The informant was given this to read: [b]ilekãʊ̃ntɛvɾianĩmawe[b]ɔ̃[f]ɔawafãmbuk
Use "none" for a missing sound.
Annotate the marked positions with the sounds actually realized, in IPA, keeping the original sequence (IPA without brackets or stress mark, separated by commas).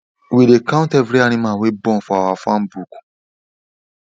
w, b, f